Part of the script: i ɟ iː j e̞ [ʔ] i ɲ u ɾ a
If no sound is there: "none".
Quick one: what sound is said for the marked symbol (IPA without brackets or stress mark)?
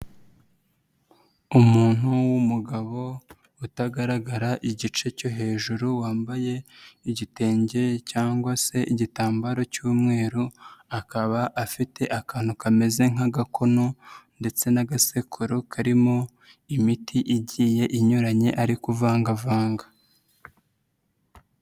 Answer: ʔ